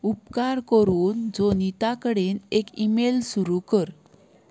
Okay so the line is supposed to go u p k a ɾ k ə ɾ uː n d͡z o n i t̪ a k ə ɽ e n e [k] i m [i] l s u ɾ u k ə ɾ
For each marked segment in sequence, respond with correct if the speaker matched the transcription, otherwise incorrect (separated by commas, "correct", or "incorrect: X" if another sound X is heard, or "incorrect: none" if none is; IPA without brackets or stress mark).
correct, incorrect: e